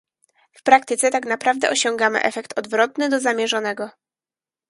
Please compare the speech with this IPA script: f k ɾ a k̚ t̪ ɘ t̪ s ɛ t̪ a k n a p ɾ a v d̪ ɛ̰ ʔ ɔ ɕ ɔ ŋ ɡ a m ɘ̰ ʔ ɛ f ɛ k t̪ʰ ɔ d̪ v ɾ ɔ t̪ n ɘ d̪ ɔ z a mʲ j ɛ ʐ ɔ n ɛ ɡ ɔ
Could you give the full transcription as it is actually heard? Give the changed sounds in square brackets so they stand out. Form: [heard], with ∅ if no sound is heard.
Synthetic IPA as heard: f [p] ɾ a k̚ t̪ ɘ t̪ s ɛ t̪ a k n a p ɾ a v d̪ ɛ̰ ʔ ɔ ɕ ɔ ŋ ɡ a m ɘ̰ ʔ ɛ f ɛ k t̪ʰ ɔ d̪ v ɾ ɔ t̪ n ɘ d̪ ɔ z a mʲ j ɛ ʐ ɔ n ɛ ɡ ɔ